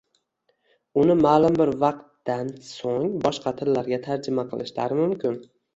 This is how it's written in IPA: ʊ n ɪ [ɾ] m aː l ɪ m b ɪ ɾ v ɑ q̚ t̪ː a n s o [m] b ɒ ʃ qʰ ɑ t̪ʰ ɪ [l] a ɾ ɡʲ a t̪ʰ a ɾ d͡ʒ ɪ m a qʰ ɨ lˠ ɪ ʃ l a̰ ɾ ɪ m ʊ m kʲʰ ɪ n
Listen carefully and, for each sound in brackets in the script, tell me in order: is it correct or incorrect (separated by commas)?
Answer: incorrect, incorrect, incorrect